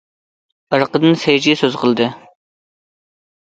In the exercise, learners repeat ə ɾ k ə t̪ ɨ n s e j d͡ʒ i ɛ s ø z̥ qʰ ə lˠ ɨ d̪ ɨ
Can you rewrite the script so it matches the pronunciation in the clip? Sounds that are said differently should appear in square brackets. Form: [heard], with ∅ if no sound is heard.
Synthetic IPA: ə ɾ [q] ə [d̪] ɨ n s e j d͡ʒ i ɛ s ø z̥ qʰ ə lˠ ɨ d̪ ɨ